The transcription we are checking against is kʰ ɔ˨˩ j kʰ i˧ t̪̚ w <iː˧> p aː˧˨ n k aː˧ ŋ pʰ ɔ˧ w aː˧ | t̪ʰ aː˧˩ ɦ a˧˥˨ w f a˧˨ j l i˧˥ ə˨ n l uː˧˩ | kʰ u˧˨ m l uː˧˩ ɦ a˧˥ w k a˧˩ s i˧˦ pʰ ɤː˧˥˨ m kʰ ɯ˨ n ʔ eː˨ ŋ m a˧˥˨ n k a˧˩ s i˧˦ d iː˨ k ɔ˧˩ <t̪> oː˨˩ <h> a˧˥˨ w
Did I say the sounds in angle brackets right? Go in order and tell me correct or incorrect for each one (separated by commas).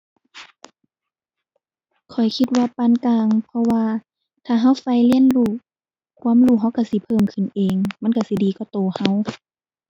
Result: incorrect, correct, correct